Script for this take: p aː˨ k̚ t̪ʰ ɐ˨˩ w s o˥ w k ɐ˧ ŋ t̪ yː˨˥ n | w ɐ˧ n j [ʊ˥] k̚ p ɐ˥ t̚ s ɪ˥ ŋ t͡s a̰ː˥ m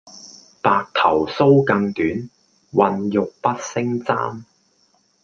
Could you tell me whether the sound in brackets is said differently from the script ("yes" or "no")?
yes